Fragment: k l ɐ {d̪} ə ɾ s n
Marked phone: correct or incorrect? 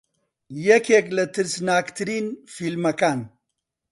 incorrect